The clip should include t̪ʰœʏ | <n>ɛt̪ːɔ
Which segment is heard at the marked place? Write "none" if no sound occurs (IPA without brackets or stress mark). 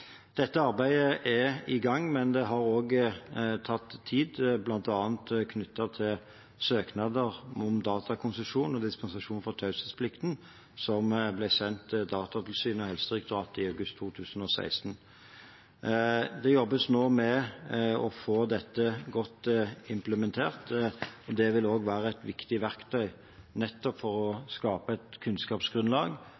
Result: n